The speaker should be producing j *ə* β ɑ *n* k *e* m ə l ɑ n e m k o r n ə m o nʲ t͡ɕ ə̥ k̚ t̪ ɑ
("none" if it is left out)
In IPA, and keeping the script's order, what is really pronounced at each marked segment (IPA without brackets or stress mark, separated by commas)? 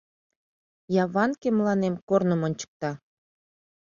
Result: ɑ, n, e